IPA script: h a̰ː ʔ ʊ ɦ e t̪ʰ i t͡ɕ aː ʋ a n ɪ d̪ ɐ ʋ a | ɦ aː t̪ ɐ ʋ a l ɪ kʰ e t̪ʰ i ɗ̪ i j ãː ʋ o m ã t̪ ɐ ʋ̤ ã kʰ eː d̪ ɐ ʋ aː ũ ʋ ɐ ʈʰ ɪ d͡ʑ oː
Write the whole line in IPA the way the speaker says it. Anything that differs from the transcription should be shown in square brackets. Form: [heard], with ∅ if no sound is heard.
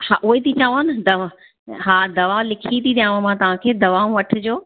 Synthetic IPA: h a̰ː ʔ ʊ ɦ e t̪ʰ i t͡ɕ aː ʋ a n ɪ d̪ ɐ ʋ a | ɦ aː [d̪] ɐ ʋ a l ɪ kʰ [i] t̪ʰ i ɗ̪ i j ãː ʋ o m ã t̪ ɐ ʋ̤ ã kʰ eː d̪ ɐ ʋ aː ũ ʋ ɐ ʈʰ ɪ d͡ʑ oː